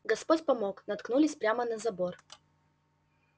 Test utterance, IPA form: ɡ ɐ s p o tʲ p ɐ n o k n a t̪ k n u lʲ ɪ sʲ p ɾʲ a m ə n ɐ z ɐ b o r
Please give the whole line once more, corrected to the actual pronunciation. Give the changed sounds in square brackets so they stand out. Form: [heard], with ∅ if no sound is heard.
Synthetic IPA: ɡ ɐ s p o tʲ p ɐ [m] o k n [ɐ] t̪ k n u lʲ ɪ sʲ p ɾʲ a m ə n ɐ z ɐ b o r